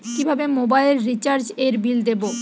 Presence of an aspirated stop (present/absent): absent